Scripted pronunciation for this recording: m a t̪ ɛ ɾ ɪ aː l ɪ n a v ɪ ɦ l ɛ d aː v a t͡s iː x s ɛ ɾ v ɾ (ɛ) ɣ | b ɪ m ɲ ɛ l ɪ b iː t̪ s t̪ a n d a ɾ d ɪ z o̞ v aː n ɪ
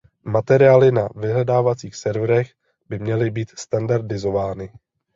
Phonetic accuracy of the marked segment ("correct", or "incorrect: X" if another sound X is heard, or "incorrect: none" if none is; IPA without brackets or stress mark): correct